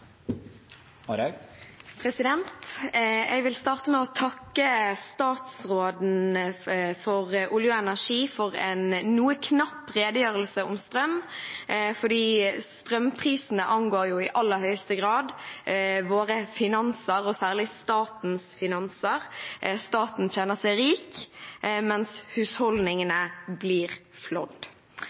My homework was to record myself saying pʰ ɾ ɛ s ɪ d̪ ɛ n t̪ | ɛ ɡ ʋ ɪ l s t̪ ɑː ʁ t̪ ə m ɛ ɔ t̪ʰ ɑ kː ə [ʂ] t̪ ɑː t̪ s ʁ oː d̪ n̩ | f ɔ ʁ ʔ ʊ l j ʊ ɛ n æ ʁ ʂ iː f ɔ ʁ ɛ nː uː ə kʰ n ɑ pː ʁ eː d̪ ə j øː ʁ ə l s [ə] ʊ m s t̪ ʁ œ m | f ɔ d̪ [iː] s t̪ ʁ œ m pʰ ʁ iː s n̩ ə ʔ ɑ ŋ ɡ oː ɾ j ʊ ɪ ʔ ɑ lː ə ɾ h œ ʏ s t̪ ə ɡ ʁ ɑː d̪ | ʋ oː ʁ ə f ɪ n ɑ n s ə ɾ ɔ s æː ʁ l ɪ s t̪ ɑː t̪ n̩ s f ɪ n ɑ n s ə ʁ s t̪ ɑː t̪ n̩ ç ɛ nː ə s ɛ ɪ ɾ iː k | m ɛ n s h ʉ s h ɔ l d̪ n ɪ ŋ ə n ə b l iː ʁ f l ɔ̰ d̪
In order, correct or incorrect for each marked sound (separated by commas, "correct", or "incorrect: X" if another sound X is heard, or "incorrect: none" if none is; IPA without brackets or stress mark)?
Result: incorrect: s, correct, correct